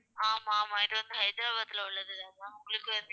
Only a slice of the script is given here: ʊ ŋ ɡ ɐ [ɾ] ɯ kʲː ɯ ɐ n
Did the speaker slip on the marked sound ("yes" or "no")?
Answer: yes